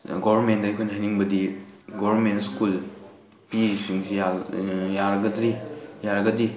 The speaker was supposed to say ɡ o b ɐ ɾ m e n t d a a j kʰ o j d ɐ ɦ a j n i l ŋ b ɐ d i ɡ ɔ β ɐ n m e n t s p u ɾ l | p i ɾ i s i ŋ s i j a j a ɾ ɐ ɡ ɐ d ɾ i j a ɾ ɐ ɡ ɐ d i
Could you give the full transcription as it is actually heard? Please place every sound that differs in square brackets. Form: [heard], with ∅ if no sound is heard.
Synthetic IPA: ɡ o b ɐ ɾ m e n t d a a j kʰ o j [n] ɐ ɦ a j n i [∅] ŋ b ɐ d i ɡ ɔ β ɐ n m e n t s [k] u [∅] l | p i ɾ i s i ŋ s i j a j a ɾ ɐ ɡ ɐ d ɾ i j a ɾ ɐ ɡ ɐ d i